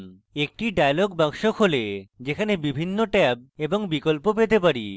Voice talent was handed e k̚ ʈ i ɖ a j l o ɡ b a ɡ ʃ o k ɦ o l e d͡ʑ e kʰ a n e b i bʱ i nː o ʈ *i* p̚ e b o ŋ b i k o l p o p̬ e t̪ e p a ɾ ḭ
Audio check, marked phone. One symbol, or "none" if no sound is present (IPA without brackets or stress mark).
ɛ